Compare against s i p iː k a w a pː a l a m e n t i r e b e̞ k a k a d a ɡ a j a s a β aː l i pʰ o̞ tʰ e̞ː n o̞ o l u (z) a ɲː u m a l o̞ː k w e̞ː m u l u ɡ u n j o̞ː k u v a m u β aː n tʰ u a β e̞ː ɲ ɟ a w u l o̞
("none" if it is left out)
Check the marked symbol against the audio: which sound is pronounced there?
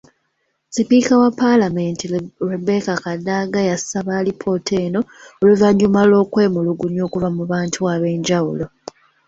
v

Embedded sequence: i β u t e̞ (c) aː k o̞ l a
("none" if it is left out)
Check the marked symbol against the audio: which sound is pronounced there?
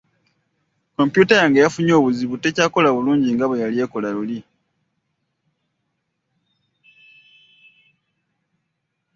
c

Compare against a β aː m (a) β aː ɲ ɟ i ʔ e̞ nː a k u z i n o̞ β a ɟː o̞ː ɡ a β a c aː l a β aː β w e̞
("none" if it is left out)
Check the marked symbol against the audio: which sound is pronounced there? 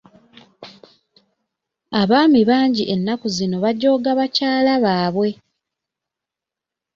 i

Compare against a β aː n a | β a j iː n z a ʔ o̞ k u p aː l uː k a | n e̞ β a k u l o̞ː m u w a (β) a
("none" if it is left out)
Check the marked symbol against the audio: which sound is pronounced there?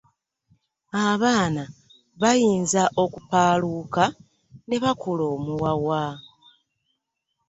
w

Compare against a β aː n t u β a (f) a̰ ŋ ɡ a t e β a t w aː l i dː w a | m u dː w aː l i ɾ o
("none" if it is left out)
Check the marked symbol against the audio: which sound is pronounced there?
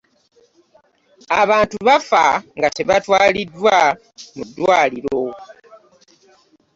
f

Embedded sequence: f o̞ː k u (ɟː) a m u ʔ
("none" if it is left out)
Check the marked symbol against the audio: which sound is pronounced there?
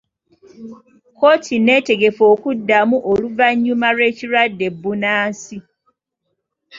dː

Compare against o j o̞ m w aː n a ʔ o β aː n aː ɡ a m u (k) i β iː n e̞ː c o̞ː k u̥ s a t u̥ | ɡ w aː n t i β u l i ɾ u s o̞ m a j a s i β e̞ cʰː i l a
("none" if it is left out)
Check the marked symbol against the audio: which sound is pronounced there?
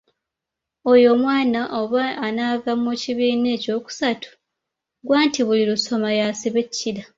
c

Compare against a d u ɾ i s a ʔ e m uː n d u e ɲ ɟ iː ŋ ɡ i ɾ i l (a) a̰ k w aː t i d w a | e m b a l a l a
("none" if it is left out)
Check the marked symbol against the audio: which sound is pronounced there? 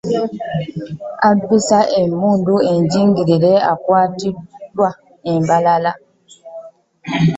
e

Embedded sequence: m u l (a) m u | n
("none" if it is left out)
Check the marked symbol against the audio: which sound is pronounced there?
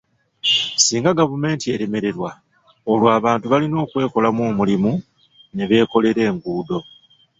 i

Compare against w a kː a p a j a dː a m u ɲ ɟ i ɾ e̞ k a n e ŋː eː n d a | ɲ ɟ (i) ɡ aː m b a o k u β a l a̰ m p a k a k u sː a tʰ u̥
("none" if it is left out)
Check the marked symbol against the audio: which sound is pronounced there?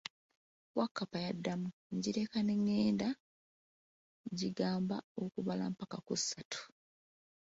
i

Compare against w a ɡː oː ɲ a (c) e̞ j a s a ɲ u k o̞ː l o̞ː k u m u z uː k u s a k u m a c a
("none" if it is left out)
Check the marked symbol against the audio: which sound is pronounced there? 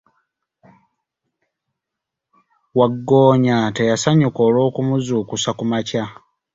t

